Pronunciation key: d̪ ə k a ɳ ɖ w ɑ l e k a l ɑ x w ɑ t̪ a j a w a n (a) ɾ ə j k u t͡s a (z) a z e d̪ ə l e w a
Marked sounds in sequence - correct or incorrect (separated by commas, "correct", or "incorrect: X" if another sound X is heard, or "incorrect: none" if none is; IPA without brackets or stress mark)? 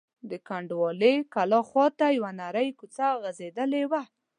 correct, incorrect: ɣ